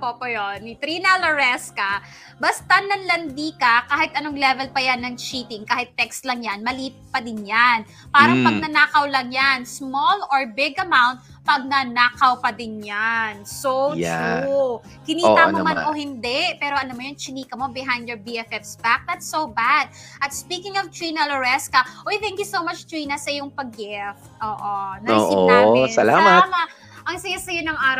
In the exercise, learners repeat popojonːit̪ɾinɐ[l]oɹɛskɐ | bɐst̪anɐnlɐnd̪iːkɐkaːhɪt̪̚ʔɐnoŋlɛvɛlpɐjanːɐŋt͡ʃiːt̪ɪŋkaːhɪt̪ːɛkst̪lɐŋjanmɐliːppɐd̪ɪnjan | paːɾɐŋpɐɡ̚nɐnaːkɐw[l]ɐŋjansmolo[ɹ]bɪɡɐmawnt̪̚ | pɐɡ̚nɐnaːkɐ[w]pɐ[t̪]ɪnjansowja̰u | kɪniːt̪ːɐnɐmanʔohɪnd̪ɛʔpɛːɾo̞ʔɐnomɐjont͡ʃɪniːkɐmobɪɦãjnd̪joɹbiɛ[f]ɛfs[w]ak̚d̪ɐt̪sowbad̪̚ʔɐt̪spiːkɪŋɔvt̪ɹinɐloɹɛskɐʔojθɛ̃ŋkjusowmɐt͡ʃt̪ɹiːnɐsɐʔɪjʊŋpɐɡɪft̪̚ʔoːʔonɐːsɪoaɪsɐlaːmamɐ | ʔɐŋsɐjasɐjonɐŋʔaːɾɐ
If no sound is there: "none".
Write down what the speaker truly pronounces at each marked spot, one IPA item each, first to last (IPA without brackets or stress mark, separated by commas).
l, l, ɹ, w, d̪, f, b